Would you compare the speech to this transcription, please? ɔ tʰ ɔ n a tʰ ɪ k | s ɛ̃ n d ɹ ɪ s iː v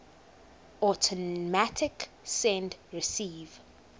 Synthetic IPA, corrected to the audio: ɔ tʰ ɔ m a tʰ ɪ k | s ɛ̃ n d ɹ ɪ s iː v